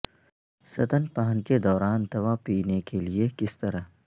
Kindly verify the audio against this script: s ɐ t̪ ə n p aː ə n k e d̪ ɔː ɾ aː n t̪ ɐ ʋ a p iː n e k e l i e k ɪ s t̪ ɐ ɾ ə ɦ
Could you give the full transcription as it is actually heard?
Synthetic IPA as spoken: s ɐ t̪ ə n p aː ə n k e d̪ ɔː ɾ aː n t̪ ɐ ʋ a p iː n e k e l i e k ɪ s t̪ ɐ ɾ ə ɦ